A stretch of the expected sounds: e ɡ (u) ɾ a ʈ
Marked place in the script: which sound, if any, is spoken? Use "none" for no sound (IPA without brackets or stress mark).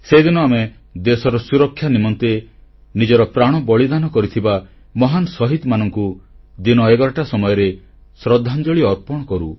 ɔ